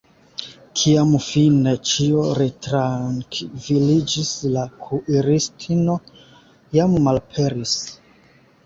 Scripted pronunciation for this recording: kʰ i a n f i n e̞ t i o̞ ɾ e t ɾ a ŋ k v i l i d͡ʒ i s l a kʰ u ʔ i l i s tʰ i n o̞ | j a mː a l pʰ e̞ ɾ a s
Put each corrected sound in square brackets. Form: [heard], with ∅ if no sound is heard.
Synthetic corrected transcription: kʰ i a [m] f i n e̞ [t͡ʃ] i o̞ ɾ e t ɾ a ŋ k v i l i d͡ʒ i s l a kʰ u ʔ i [ɾ] i s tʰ i n o̞ | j a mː a l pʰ e̞ ɾ [i] s